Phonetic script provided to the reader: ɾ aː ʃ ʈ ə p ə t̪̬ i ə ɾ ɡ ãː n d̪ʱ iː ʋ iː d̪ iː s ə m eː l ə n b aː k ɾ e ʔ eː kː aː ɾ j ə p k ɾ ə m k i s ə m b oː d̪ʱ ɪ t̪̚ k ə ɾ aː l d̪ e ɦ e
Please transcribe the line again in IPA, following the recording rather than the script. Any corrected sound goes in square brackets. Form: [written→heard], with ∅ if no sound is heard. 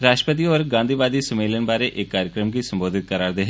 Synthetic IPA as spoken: ɾ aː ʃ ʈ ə p ə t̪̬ i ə ɾ ɡ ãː n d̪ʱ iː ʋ [iː→aː] d̪ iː s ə m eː l ə n b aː [k→∅] ɾ e ʔ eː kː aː ɾ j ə [p→∅] k ɾ ə m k i s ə m b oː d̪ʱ ɪ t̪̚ k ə ɾ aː [l→ɾ] d̪ e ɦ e